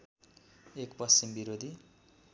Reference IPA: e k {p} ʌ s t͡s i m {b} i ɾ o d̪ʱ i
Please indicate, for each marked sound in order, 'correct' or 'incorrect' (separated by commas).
correct, correct